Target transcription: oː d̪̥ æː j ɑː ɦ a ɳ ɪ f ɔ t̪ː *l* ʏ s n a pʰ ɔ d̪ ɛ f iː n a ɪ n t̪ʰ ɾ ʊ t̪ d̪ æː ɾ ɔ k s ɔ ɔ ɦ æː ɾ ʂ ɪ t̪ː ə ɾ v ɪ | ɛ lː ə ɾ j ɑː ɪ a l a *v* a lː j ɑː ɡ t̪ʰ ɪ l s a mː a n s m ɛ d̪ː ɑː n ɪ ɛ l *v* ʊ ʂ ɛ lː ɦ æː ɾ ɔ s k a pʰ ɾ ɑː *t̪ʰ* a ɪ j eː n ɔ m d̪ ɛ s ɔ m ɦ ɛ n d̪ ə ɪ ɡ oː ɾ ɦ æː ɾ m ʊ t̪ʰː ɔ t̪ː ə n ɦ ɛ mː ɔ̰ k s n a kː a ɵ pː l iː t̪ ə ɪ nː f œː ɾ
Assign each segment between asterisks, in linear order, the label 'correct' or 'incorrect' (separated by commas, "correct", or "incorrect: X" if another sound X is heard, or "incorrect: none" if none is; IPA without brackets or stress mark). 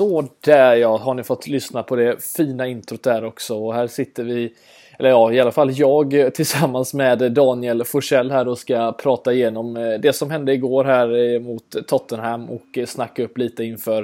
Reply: correct, incorrect: f, incorrect: f, incorrect: t̪